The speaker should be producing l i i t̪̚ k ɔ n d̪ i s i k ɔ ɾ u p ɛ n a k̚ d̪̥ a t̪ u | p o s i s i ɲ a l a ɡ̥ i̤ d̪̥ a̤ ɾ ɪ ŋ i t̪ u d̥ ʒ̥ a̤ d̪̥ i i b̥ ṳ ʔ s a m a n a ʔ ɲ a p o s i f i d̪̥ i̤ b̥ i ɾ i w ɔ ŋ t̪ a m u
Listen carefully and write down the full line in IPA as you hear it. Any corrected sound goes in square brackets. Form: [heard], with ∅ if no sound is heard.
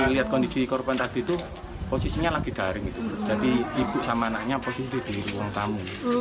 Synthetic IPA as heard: l i [a] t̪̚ k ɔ n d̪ i s i k ɔ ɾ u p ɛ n a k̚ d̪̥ [i] t̪ u | p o s i s i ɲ a l a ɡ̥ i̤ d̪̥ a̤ ɾ ɪ ŋ i t̪ u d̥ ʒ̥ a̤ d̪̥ i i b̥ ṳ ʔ s a m a n a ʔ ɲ a p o s i [s] i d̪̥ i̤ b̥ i ɾ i w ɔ ŋ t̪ a m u